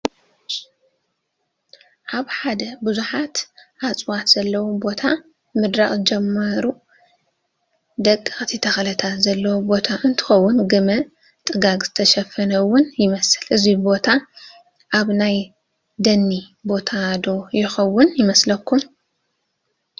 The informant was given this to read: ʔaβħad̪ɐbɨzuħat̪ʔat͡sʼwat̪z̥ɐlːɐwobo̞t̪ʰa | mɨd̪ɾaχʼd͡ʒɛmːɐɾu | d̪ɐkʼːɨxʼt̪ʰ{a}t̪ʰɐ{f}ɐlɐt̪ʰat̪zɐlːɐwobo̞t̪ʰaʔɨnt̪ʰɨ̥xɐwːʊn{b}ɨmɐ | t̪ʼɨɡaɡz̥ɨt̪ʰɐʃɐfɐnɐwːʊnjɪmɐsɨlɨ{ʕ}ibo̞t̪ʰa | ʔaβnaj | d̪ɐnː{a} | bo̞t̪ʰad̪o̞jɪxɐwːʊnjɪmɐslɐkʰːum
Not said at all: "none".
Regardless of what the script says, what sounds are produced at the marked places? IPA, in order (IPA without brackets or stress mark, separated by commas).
i, x, ɡ, z, i